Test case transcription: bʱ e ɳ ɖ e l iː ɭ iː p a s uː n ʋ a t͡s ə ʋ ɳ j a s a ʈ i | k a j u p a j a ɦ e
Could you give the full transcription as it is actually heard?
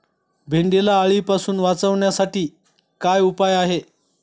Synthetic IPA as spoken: bʱ e ɳ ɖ e l aː ɭ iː p a s uː n ʋ a t͡s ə ʋ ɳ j a s a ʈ iː | k a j u p a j a ɦ e

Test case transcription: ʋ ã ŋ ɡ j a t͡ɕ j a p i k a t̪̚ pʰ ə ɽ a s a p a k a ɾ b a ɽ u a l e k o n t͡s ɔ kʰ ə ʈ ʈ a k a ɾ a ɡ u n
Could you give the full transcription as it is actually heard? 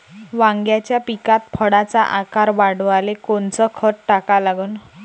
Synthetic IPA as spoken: ʋ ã ŋ ɡ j a t͡ɕ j a p i k a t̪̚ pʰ ə ɽ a t͡s a ʔ a k a ɾ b a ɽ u a l e k o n t͡s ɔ kʰ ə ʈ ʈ a k a l a ɡ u n

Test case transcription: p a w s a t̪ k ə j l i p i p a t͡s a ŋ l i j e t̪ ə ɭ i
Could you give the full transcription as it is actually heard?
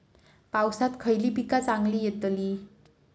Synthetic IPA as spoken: p a w s a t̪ kʰ ə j l i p i k a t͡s a ŋ l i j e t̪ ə l i

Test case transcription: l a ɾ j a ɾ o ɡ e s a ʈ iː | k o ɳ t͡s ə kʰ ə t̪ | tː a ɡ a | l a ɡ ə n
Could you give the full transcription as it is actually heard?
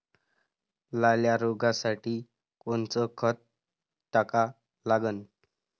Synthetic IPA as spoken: l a l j a ɾ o ɡ a s a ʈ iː | k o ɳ t͡s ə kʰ ə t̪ | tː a k a | l a ɡ ə n

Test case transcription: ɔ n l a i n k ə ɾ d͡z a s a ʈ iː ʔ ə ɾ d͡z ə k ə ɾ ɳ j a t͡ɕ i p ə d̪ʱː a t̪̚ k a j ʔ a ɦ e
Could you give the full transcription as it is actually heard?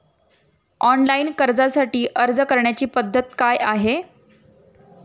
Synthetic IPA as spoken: ɔ n l a i n k ə ɾ d͡z a s a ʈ iː ʔ ə ɾ d͡z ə k ə ɾ ɳ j a t͡ɕ iː p ə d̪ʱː ə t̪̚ k a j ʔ a ɦ e

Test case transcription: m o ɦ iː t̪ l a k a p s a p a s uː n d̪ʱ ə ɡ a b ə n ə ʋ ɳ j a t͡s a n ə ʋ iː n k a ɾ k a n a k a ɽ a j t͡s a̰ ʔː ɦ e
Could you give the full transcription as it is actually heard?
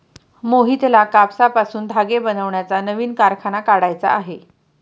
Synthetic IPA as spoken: m o ɦ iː t̪ l a k a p s a p a s uː n d̪ʱ a ɡ e b ə n ə ʋ ɳ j a t͡s a n ə ʋ iː n k a ɾ kʰ a n a k a ɽ a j t͡s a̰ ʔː ɦ e

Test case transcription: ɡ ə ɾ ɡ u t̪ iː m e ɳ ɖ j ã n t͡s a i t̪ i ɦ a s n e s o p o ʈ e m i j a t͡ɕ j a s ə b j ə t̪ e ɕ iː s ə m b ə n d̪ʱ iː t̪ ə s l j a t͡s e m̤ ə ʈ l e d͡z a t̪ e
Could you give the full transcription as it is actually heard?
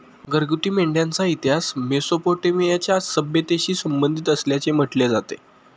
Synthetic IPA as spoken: ɡ ə ɾ ɡ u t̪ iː m e ɳ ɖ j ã n t͡s a i t̪ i ɦ a s m e s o p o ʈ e m i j a t͡ɕ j a s ə b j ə t̪ e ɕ iː s ə m b ə n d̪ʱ i t̪ ə s l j a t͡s e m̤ ə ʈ l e d͡z a t̪ e

